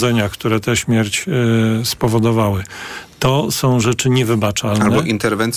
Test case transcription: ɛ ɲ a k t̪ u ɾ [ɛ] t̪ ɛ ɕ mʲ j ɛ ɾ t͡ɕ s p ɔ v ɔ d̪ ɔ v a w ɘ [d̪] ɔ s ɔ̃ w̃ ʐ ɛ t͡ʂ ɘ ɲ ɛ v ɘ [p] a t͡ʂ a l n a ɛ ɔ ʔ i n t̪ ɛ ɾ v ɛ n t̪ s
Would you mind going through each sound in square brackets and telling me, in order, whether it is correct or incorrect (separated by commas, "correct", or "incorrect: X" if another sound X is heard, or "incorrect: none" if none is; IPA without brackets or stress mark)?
correct, incorrect: t̪, incorrect: b